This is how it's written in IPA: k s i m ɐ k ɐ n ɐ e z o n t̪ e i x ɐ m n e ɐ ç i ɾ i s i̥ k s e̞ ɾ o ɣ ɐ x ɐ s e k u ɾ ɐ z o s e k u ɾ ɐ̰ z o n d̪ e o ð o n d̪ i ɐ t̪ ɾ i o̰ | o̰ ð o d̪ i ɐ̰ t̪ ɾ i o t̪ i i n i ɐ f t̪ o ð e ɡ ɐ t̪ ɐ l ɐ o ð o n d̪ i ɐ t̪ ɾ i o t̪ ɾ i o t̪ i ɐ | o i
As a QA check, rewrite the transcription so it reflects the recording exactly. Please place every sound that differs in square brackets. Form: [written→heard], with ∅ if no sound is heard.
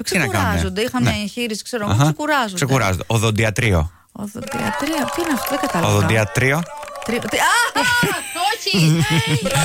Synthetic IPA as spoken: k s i [m→n] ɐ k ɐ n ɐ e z o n [t̪→d̪] e i x ɐ m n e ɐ ç i ɾ i s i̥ k s e̞ ɾ o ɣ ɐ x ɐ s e k u ɾ ɐ z o s e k u ɾ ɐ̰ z o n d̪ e o ð o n d̪ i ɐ t̪ ɾ i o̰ | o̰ ð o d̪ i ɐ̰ t̪ ɾ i o t̪ i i n [i→e] ɐ f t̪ o ð e ɡ ɐ t̪ ɐ l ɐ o ð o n d̪ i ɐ t̪ ɾ i o t̪ ɾ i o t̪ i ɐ | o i